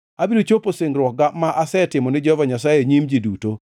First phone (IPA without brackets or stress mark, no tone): a